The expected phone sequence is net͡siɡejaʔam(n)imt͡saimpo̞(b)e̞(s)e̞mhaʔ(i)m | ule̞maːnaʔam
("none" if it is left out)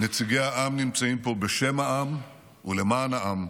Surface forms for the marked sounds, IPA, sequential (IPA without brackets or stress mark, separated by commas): n, b, ʃ, a